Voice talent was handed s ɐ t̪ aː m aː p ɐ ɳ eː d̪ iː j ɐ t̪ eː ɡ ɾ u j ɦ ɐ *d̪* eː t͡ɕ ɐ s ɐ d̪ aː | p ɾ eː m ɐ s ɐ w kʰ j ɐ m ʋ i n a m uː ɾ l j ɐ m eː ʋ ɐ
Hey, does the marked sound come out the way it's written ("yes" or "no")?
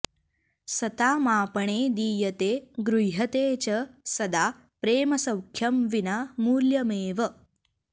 no